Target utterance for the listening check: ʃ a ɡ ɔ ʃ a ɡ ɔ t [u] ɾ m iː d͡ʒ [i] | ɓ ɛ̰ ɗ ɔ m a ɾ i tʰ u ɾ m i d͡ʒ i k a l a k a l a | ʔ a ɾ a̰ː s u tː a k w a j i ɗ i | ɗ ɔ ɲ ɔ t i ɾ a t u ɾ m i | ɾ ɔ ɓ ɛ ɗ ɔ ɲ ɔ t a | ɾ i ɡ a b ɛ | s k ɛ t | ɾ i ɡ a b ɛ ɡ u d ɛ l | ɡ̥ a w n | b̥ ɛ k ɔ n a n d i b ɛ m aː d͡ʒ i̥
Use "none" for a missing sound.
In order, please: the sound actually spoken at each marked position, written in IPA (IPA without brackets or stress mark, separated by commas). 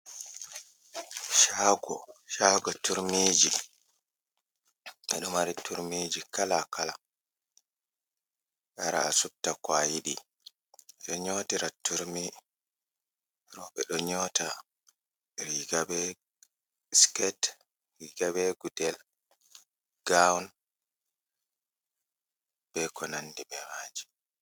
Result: u, i